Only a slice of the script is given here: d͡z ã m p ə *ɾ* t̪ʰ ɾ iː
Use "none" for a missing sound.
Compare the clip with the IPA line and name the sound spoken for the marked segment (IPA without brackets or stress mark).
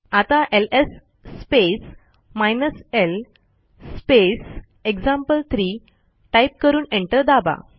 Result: l